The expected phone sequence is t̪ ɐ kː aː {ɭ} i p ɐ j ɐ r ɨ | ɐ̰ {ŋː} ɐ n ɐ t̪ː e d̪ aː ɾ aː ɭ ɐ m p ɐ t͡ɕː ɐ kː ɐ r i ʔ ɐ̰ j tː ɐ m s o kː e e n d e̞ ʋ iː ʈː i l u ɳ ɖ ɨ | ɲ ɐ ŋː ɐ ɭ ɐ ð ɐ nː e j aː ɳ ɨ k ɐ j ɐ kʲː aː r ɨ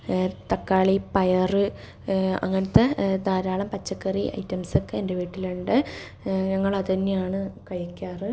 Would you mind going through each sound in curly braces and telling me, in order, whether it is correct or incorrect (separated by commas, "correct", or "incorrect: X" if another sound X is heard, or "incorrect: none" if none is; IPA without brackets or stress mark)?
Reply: correct, correct